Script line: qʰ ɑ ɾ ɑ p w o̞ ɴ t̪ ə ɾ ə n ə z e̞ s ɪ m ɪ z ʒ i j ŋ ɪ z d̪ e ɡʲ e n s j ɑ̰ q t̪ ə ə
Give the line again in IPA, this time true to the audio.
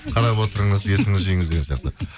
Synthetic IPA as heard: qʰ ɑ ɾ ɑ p w o̞ t̪ ə ɾ ə ɴ ə z e̞ s ɪ ŋ ɪ z ʒ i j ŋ ɪ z d̪ e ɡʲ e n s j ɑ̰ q t̪ ə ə

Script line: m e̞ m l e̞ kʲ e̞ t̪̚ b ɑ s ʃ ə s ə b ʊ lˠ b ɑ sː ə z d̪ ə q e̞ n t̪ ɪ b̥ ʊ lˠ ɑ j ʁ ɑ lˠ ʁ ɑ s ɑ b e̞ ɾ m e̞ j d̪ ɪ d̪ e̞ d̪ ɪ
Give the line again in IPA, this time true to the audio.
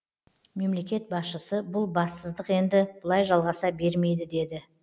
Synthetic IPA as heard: m e̞ m l e̞ kʲ e̞ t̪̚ b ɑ s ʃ ə s ə b ʊ lˠ b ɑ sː ə z d̪ ə q e̞ n d̪ ɪ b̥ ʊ lˠ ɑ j ʒ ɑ lˠ ʁ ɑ s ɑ b e̞ ɾ m e̞ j d̪ ɪ d̪ e̞ d̪ ɪ

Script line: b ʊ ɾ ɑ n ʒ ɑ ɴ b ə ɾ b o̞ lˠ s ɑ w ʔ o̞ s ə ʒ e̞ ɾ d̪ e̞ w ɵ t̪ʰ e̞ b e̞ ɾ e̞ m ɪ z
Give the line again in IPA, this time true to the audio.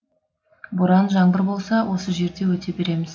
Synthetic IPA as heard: b ʊ ɾ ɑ n ʒ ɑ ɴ b ə ɾ b o̞ lˠ s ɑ w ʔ o̞ s ə ʒ e̞ ɾ d̪ e̞ w ɵ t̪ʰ e̞ b e̞ ɾ e̞ m ɪ z

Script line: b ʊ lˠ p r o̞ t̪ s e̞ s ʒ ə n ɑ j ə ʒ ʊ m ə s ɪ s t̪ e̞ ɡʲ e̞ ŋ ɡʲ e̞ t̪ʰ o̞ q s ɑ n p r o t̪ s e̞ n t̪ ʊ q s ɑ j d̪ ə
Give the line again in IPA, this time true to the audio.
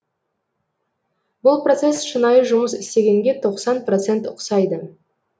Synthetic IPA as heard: b ʊ lˠ p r o̞ t̪ s e̞ s ʃ ə n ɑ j ə ʒ ʊ m ə s ɪ s t̪ e̞ ɡʲ e̞ ŋ ɡʲ e̞ t̪ʰ o̞ q s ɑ n p r o t̪ s e̞ n t̪ ʊ q s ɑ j d̪ ə

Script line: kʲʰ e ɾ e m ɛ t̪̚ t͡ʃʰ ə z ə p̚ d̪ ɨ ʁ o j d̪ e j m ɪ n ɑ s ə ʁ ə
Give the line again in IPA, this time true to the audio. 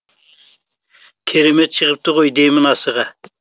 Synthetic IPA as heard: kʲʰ e ɾ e m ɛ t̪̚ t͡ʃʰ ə ʁ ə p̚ t̪ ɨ ʁ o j d̪ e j m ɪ n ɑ s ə ʁ ɑ

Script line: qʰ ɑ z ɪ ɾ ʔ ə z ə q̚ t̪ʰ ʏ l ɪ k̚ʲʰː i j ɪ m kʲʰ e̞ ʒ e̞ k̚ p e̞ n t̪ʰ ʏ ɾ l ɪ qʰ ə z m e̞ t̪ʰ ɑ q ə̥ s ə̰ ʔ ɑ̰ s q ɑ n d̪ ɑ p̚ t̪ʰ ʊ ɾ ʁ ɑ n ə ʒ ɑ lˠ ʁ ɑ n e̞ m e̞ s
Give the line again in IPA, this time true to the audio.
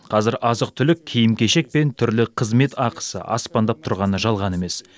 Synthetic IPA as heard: qʰ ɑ z ɪ ɾ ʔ ɑ z ə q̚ t̪ʰ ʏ l ɪ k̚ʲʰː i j ɪ m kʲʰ e̞ ʃ e̞ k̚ p e̞ n t̪ʰ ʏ ɾ l ɪ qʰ ə z m e̞ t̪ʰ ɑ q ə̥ s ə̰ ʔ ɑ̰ s p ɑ n d̪ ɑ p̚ t̪ʰ ʊ ɾ ʁ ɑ n ə ʒ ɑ lˠ ʁ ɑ n e̞ m e̞ s

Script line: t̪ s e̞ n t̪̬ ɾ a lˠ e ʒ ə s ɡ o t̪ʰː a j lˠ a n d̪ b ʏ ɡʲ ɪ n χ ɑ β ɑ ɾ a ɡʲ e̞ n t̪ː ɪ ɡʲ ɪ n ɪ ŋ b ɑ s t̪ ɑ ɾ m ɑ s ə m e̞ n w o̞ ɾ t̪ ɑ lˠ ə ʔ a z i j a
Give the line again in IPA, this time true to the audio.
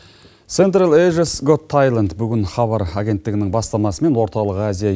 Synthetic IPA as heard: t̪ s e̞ n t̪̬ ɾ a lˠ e ʒ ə s ɡ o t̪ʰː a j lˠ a n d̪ b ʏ ɡʲ ɪ n χ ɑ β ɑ ɾ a ɡʲ e̞ n t̪ː ɪ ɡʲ ɪ n ɪ ŋ b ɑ s t̪ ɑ m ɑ s ə m e̞ n w o̞ ɾ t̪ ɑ lˠ ə q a z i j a

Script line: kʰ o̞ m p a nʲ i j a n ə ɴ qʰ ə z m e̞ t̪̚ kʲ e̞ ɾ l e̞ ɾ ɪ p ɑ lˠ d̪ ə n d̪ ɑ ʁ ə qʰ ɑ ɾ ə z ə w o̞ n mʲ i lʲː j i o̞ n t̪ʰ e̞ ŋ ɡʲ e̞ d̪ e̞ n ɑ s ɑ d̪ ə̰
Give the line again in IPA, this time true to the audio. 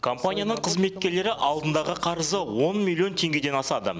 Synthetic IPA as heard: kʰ o̞ m p a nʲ i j a n ə ɴ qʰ ə z m e̞ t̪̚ kʲ e̞ ɾ l e̞ ɾ ɪ ʔ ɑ lˠ d̪ ə n d̪ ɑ ʁ ə qʰ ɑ ɾ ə z ə w o̞ n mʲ i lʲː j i o̞ n t̪ʰ e̞ ŋ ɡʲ e̞ d̪ e̞ n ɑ s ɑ d̪ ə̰

